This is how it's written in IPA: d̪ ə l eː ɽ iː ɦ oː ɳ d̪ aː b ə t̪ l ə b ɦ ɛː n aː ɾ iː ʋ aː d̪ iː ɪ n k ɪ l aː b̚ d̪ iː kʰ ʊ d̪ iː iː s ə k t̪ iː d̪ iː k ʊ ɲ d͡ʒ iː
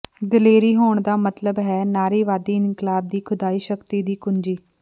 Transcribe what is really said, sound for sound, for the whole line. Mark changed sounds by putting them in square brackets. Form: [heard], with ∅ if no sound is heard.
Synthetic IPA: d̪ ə l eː [ɾ] iː ɦ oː ɳ d̪ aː [m] ə t̪ l ə b ɦ ɛː n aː ɾ iː ʋ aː d̪ iː ɪ n k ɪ l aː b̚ d̪ iː kʰ ʊ d̪ [aː] iː [ʃ] ə k t̪ iː d̪ iː k ʊ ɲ d͡ʒ iː